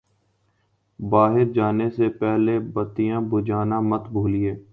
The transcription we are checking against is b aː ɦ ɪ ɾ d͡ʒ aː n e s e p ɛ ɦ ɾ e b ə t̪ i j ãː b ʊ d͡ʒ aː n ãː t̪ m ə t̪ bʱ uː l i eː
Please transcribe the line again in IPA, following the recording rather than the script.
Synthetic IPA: b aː ɦ ɪ ɾ d͡ʒ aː n e s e p ɛ ɦ l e b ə t̪ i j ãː b ʊ d͡ʒ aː n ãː m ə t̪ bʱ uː l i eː